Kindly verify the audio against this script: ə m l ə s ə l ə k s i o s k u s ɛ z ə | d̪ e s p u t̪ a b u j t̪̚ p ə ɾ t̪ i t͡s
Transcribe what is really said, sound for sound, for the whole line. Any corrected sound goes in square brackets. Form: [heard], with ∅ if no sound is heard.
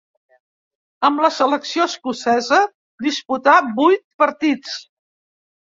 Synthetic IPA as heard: ə m l ə s ə l ə k s i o s k u s ɛ z ə | d̪ [i] s p u t̪ a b u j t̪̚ p ə ɾ t̪ i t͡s